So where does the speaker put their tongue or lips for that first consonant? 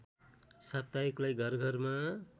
tongue tip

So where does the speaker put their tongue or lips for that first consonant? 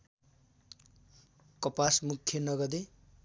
velum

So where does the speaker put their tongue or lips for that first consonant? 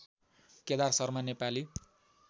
velum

